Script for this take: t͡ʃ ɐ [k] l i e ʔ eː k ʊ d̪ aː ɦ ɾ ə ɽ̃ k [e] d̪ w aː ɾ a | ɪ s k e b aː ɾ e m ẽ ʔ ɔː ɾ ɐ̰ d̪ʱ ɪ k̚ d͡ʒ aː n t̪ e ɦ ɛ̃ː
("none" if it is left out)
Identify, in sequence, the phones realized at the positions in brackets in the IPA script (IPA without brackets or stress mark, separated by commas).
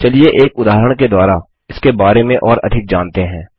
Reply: none, e